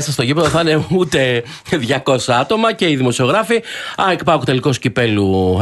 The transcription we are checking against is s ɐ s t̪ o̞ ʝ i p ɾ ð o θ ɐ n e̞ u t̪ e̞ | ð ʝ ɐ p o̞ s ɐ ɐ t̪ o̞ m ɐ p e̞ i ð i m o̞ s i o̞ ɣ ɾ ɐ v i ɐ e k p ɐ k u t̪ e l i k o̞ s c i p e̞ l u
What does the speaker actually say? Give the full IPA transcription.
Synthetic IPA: s ɐ s t̪ o̞ ʝ i p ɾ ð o θ ɐ n e̞ u t̪ e̞ | ð ʝ ɐ k o̞ s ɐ ɐ t̪ o̞ m ɐ c e̞ i ð i m o̞ s i o̞ ɣ ɾ ɐ f i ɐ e k p ɐ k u t̪ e l i k o̞ s c i p e̞ l u